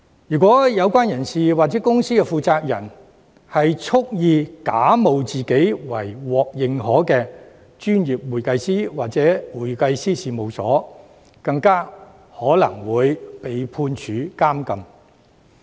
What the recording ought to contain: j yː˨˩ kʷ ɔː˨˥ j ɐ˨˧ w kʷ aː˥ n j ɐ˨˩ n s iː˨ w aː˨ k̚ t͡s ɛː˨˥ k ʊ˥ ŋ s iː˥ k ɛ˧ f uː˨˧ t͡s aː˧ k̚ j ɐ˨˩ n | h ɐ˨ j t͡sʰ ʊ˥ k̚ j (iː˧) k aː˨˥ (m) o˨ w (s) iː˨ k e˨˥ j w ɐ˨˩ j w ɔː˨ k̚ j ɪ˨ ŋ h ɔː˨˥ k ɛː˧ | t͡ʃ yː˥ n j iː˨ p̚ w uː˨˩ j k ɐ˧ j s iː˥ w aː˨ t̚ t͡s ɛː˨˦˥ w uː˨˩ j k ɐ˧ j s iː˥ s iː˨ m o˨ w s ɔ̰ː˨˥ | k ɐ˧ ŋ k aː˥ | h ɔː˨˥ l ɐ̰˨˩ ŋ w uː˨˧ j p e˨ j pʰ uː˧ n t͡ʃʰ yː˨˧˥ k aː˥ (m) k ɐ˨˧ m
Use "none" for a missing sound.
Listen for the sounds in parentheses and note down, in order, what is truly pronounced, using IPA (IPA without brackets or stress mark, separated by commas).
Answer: iː˧, m, t͡s, m